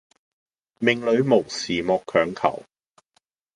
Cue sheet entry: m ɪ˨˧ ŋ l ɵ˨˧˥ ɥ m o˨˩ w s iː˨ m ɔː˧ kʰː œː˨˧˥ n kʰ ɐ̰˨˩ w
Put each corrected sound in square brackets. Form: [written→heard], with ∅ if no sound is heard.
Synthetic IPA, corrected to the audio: m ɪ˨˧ ŋ l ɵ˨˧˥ ɥ m o˨˩ w s iː˨ m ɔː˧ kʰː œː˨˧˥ [n→ŋ] kʰ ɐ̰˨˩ w